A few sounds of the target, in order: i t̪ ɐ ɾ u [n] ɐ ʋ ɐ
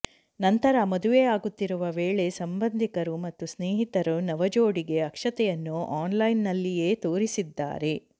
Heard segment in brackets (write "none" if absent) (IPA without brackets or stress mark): n